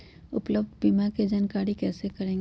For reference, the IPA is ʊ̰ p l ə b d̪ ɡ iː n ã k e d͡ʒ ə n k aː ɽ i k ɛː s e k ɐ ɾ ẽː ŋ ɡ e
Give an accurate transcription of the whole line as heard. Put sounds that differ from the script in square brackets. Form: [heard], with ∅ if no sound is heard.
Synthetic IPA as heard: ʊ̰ p l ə b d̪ [b] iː [m] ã k e d͡ʒ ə n k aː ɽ i k ɛː s e k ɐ ɾ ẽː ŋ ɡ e